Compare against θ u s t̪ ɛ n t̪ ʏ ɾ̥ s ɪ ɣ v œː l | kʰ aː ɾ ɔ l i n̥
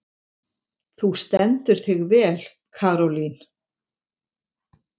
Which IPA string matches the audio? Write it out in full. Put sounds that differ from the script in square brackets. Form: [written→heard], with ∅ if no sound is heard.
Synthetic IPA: θ u s t̪ ɛ n t̪ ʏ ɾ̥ [s→θ] ɪ ɣ v [œː→ɛː] l | kʰ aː ɾ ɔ l i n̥

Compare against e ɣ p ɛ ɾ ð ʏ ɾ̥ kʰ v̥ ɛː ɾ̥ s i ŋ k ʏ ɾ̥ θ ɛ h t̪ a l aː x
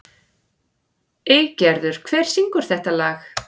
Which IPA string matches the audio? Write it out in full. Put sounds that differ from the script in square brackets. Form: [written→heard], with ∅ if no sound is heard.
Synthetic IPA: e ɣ [p→c] ɛ ɾ ð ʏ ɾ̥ kʰ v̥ ɛː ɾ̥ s i ŋ k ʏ ɾ̥ θ ɛ h t̪ a l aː x

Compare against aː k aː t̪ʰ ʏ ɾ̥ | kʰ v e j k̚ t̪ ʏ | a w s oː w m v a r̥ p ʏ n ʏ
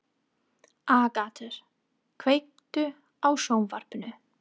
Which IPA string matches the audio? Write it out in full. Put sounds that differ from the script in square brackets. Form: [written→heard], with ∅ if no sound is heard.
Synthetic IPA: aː k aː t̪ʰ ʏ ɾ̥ | kʰ v e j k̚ t̪ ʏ | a w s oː w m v a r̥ p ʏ n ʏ

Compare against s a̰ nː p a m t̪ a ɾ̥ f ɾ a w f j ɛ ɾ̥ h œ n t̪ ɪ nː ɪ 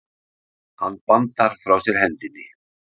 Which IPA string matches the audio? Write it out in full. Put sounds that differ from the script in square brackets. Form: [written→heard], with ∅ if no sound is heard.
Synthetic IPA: [s→h] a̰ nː p a [m→n] t̪ a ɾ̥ f ɾ a w [f→s] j ɛ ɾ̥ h [œ→ɛ] n t̪ ɪ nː ɪ

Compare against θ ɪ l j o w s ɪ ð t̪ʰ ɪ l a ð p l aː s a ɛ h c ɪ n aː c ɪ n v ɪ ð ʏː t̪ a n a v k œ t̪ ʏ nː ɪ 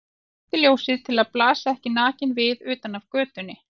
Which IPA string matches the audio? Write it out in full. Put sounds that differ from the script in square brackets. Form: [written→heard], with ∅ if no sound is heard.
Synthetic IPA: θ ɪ l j o w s ɪ ð t̪ʰ ɪ l a ð p l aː s a ɛ h c ɪ n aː c ɪ n v ɪ ð ʏː t̪ a n a v k [œ→œː] t̪ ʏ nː ɪ

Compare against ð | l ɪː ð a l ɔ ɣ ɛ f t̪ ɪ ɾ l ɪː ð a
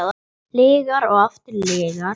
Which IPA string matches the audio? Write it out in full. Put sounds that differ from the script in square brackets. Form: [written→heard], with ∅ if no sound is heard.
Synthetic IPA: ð | l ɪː [ð→ɣ] a [l→ɾ] ɔ ɣ [ɛ→a] f t̪ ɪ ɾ l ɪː [ð→ɣ] a

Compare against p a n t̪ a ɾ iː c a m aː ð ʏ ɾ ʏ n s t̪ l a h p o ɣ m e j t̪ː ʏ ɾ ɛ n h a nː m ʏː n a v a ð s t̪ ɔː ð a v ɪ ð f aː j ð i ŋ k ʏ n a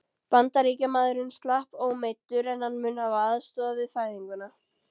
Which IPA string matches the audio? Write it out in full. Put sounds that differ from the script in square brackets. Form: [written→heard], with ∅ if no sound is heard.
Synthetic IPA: p a n t̪ a ɾ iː c a m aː ð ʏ ɾ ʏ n s t̪ l a h p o ɣ m e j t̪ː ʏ ɾ ɛ n h a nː m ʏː n a v a ð s t̪ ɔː ð a v ɪ ð f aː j ð i ŋ k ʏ n a

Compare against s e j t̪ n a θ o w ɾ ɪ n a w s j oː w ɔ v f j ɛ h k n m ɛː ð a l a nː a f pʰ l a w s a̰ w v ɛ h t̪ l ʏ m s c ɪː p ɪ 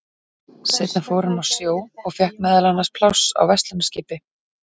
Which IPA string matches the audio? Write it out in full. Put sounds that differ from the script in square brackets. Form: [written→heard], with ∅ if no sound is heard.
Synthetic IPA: s e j t̪ n a [θ→f] o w ɾ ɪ n a w s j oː w ɔ [v→ɣ] f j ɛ h k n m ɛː ð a l a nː a [f→s] pʰ l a w s a̰ w v ɛ [h→s] t̪ l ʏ m s c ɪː p ɪ

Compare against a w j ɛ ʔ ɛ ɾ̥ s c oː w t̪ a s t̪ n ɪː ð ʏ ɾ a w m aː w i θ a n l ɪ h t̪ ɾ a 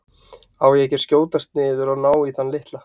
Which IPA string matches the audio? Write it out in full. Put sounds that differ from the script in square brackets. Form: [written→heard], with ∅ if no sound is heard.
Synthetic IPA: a w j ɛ [ʔ→c] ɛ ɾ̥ s c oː w t̪ a s t̪ n ɪː ð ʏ ɾ a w [m→n] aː w i θ a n l ɪ h t̪ [ɾ→l] a

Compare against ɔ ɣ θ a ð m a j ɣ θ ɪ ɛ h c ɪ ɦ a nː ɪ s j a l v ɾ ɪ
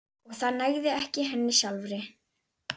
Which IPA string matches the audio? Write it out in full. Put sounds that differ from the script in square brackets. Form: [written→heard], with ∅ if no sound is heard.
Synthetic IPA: ɔ ɣ θ a ð [m→n] a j ɣ [θ→ð] ɪ ɛ h c ɪ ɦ [a→ɛ] nː ɪ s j a l v ɾ ɪ

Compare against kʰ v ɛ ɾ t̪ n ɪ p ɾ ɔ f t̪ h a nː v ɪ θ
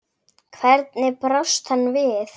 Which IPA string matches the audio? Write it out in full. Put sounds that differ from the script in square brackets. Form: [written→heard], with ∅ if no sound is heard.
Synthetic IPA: kʰ v ɛ ɾ t̪ n ɪ p ɾ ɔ [f→s] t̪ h a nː v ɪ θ

